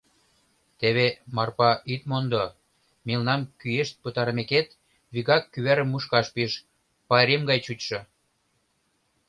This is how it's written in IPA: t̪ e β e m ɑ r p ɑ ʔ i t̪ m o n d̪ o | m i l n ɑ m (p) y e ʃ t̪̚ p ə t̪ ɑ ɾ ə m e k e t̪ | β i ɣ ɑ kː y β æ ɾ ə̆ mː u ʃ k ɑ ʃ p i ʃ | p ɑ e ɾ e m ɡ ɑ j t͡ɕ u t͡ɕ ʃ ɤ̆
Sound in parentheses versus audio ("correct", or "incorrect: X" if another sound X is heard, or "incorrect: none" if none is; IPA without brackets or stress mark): incorrect: k